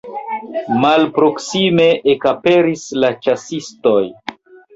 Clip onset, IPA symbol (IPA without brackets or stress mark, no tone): m